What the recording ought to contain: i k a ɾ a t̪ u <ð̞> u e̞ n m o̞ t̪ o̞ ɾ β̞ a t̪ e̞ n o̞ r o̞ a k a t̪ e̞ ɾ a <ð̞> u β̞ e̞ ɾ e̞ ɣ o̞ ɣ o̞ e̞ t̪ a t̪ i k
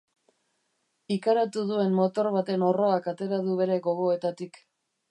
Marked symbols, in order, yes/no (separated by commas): yes, yes